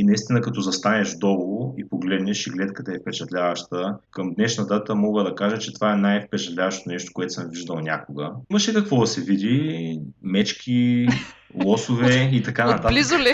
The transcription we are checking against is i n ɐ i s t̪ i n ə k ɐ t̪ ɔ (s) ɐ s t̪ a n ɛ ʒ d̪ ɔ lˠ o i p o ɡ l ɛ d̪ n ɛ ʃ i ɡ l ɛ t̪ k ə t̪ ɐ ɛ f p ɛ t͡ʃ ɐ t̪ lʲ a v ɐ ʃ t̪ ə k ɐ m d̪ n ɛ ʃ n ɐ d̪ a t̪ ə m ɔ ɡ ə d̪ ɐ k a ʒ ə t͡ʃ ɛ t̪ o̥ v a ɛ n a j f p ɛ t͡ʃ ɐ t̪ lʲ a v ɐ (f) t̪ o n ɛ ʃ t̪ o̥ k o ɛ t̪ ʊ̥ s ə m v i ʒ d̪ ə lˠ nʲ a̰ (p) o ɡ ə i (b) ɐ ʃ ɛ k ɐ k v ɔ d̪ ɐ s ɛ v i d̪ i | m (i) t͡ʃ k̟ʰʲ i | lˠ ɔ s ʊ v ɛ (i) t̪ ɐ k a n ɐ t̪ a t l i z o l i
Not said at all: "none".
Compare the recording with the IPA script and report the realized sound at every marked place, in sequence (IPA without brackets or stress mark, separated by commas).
z, ʃ, k, m, ɛ, i